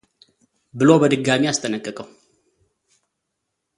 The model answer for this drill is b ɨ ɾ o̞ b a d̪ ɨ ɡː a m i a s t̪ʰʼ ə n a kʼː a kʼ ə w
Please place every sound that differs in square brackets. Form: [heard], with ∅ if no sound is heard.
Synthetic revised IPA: b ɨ [l] o̞ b [ə] d̪ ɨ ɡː a m i a s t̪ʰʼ ə n [ə] kʼː [ə] kʼ ə w